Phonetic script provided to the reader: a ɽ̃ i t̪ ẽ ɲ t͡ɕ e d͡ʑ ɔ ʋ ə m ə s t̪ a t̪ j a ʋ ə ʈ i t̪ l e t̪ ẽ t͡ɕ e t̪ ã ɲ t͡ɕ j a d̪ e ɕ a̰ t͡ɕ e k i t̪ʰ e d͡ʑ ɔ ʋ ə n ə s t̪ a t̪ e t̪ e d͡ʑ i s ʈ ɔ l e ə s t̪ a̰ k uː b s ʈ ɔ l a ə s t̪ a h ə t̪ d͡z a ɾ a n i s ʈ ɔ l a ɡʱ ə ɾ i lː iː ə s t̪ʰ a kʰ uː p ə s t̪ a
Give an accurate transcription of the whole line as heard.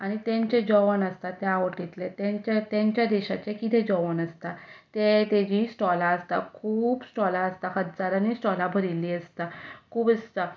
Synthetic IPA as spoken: a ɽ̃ i t̪ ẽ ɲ t͡ɕ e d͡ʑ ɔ ʋ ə n ə s t̪ a t̪ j a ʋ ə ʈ i t̪ l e t̪ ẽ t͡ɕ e t̪ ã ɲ t͡ɕ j a d̪ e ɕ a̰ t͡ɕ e k i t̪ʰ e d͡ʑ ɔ ʋ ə n ə s t̪ a t̪ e t̪ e d͡ʑ i s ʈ ɔ l a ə s t̪ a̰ kʰ uː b s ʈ ɔ l a ə s t̪ a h ə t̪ d͡z a ɾ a n i s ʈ ɔ l a bʱ ə ɾ i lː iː ə s t̪ a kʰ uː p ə s t̪ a

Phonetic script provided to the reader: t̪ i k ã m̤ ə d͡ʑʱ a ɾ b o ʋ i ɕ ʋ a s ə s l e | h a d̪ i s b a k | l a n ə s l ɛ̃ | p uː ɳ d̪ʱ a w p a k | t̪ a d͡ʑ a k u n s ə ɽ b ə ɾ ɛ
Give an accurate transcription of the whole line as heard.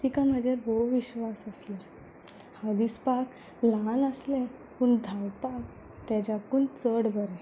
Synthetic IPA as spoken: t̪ i k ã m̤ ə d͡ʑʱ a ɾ b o ʋ i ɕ ʋ a s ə s l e | h a d̪ i s p a k | l a n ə s l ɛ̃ | p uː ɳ d̪ʱ a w p a k | t̪ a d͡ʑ a k u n t͡s ə ɽ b ə ɾ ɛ

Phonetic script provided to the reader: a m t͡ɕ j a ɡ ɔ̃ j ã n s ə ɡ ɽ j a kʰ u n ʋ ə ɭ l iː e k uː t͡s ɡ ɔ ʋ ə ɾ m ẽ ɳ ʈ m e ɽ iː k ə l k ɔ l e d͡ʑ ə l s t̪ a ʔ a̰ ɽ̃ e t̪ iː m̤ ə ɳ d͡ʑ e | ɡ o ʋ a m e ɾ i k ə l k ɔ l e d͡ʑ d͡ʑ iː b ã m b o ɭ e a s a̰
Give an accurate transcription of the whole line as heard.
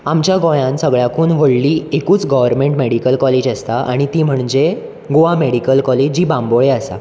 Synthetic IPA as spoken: a m t͡ɕ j a ɡ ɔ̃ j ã n s ə ɡ ɭ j a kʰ uː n ʋ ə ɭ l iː e k uː t͡s ɡ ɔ ʋ ə ɾ m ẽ ɳ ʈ m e ɽ i k ə l k ɔ l e d͡ʑ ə s t̪ a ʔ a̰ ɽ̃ i t̪ iː m̤ ə ɳ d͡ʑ e | ɡ o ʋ a m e ɽ i k ə l k ɔ l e d͡ʑ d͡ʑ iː b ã m b o ɭ e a s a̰

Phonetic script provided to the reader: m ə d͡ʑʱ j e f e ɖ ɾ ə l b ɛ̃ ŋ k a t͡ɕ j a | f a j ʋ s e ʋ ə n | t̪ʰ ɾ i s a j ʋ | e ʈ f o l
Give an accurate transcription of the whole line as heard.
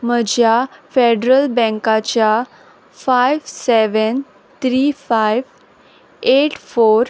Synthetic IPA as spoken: m ə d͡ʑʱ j a f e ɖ ɾ ə l b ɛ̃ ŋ k a t͡ɕ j a | f a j ʋ s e ʋ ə n | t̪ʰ ɾ i f a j ʋ | e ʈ f o ɾ

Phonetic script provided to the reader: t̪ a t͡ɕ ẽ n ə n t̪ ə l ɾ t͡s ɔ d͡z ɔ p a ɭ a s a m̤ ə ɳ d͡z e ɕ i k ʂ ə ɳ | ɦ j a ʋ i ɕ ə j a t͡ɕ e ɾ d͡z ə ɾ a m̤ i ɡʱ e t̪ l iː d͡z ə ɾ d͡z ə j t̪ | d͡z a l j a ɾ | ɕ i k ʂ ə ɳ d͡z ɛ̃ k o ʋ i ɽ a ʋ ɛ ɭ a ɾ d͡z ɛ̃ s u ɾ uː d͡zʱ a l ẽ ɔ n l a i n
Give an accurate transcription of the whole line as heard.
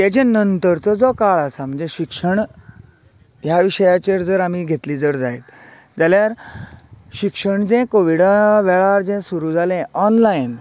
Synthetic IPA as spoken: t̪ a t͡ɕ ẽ n ə n t̪ ə ɾ t͡s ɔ d͡z ɔ k a ɭ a s a m̤ ə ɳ d͡z e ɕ i k ʂ ə ɳ | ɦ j a ʋ i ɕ ə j a t͡ɕ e ɾ d͡z ə ɾ a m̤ i ɡʱ e t̪ l iː d͡z ə ɾ d͡z a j t̪ | d͡z a l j a ɾ | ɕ i k ʂ ə ɳ d͡z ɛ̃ k o ʋ i ɽ a ʋ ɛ ɭ a ɾ d͡z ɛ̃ s u ɾ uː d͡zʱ a l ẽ ɔ n l a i n

